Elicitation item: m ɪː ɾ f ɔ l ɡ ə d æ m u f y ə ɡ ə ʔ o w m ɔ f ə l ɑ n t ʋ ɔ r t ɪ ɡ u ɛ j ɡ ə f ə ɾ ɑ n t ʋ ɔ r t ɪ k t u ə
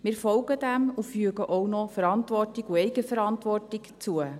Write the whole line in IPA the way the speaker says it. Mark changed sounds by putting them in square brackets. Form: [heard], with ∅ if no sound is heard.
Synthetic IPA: m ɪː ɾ f ɔ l ɡ ə d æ m u f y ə ɡ ə ʔ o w [n] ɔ f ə [ɾ] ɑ n t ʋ ɔ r t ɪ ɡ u ɛ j ɡ ə f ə ɾ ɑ n t ʋ ɔ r t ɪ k [t͡s] u ə